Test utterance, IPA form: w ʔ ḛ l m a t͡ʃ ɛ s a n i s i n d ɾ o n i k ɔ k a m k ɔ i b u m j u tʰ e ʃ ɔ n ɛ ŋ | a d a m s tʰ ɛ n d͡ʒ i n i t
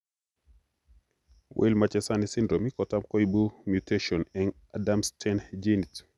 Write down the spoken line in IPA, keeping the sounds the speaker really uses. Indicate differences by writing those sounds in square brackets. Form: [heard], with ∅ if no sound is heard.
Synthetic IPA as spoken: w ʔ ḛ l m a t͡ʃ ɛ s a n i s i n d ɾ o [m] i k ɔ [t] a m k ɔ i b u m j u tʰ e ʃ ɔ n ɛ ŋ | a d a m s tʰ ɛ n d͡ʒ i n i t

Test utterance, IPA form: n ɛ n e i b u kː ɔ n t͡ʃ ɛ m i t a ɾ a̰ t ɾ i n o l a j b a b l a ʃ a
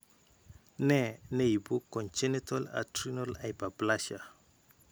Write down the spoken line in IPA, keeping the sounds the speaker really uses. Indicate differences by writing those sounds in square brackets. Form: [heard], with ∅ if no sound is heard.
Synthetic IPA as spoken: n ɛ n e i b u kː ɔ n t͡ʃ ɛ [n] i t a [l] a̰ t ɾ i n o l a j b a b l a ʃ a

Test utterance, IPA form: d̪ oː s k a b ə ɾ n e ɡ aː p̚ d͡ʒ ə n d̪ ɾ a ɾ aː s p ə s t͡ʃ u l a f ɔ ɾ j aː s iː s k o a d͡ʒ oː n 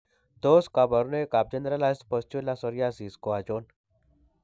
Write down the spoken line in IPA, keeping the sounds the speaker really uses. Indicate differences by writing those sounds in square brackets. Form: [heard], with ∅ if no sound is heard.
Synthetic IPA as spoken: d̪ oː s k a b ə ɾ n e [k] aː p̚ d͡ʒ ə n d̪ ɾ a [l] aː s p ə s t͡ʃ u l a [s] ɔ ɾ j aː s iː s k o a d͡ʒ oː n

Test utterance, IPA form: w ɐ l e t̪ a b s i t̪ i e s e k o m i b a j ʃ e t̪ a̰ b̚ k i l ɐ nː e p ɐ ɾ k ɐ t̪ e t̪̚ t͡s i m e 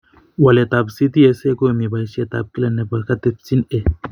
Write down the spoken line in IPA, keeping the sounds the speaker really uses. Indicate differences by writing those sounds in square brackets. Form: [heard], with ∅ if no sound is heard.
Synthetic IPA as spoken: w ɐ l e t̪ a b s i t̪ i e s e k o m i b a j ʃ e t̪ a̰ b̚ k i l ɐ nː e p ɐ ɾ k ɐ t̪ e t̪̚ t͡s i [n] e

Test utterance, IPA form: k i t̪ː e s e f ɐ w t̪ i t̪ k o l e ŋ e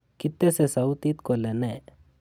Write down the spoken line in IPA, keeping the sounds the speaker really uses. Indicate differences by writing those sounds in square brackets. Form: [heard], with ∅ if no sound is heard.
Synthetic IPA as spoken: k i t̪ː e s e [s] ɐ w t̪ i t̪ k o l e [n] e

